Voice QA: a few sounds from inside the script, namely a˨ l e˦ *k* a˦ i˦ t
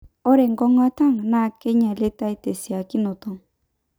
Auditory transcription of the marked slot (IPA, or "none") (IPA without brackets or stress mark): t